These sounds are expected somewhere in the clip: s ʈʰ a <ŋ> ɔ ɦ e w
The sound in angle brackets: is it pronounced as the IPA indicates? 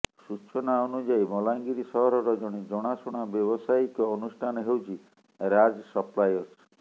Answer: no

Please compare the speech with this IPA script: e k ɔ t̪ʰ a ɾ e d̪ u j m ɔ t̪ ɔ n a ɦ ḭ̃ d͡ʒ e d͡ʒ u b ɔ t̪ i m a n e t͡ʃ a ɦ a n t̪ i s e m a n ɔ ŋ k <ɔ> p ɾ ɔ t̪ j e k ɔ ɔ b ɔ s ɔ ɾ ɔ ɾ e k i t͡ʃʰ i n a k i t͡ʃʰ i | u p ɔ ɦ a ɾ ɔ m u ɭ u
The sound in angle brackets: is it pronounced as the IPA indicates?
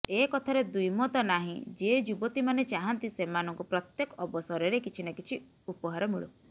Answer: no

